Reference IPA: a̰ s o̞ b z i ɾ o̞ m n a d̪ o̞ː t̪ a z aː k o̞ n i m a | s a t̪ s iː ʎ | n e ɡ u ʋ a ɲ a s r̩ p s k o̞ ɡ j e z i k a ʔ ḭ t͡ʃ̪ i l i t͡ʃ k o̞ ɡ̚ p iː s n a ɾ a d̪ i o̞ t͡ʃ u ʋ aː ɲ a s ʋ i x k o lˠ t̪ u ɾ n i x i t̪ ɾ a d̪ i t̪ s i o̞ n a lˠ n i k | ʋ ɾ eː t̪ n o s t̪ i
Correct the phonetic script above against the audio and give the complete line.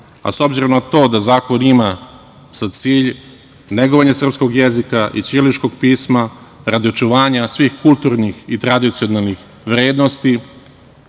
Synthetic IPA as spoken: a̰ s o̞ b z i ɾ o̞ m n a t̪ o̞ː d̪ a z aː k o̞ n i m a | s a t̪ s iː ʎ | n e ɡ o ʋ a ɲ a s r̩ p s k o̞ ɡ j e z i k a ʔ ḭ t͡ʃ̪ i l i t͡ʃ k o̞ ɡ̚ p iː s m a ɾ a d̪ i o̞ t͡ʃ u ʋ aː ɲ a s ʋ i x k u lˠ t̪ u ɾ n i x i t̪ ɾ a d̪ i t̪ s i o̞ n a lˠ n i x | ʋ ɾ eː d̪ n o s t̪ i